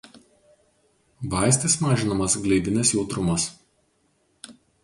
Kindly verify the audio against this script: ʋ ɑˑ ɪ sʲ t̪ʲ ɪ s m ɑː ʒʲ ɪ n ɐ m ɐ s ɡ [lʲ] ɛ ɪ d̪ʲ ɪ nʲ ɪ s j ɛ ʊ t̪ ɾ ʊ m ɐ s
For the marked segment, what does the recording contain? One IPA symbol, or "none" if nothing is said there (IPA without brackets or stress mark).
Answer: lʲ